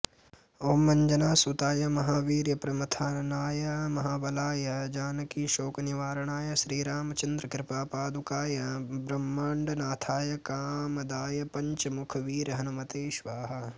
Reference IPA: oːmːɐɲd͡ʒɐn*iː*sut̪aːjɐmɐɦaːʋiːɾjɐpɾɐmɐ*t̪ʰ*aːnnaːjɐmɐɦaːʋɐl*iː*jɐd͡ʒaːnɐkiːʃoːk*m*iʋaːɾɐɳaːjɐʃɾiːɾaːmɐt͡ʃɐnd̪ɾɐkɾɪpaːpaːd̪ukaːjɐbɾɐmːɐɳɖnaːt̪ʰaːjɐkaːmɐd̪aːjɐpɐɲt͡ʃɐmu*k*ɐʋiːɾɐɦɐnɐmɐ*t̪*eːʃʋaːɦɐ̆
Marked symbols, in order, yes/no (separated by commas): no, yes, no, no, no, yes